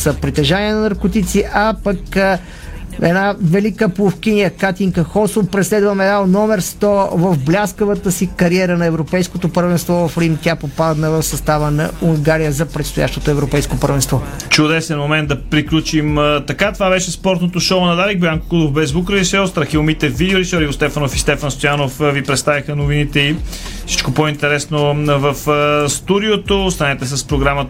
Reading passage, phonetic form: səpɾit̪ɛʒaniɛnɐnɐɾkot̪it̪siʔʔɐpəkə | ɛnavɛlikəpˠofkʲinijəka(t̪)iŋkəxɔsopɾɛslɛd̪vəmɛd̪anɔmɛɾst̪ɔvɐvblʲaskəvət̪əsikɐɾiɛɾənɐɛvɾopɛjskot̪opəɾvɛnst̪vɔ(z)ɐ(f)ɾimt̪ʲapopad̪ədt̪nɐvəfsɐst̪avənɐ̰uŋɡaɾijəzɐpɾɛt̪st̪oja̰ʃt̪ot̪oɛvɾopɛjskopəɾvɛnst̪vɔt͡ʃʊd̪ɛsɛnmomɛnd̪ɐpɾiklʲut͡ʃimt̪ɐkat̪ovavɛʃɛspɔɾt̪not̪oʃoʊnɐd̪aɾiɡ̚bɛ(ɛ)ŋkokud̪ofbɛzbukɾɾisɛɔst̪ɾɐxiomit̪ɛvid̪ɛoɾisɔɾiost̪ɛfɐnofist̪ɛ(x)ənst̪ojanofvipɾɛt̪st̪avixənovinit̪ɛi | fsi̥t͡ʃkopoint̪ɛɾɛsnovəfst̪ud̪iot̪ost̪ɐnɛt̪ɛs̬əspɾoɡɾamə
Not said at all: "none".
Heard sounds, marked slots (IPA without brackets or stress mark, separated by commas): t̪, v, f, a, f